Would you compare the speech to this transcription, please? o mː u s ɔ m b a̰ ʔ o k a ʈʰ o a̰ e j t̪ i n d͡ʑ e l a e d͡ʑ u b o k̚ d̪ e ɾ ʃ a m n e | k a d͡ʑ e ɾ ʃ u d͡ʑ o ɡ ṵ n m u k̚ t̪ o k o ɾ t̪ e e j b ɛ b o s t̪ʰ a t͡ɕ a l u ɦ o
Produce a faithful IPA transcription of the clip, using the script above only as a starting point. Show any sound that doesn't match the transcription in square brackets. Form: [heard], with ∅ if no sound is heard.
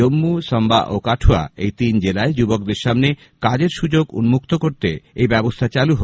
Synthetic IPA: o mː u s ɔ m b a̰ ʔ o k a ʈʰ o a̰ e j t̪ i n d͡ʑ e l a e d͡ʑ u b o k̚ d̪ e ɾ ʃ a m n e | k a d͡ʑ e ɾ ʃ u d͡ʑ o ɡ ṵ n m u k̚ t̪ o k o ɾ t̪ e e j b ɛ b o s t̪ʰ a t͡ɕ a l u ɦ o